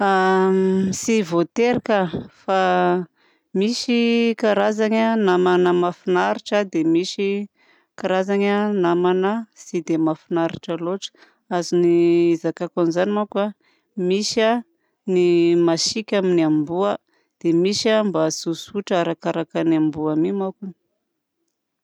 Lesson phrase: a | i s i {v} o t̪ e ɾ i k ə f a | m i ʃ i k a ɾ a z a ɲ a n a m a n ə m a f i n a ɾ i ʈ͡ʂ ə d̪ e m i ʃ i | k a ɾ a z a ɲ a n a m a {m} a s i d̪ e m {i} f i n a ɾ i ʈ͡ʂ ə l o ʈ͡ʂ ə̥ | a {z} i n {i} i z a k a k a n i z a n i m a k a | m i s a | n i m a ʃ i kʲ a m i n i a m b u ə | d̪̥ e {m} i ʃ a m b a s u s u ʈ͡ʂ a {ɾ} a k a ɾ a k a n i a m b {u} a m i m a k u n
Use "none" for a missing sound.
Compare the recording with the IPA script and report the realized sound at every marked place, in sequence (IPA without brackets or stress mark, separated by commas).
v, n, a, z, i, m, ɾ, u